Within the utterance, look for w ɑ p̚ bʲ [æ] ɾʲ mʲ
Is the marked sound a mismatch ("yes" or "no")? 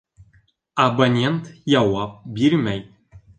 yes